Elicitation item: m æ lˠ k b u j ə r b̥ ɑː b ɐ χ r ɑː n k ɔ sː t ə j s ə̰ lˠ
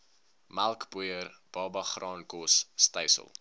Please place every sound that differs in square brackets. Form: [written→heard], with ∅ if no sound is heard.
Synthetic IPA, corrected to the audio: m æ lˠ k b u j ə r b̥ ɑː b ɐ χ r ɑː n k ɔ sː t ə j s ə̰ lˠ